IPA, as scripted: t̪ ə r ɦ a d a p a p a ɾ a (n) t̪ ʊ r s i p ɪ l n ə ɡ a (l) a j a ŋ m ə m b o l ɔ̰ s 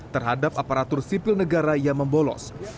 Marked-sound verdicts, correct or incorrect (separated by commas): incorrect, incorrect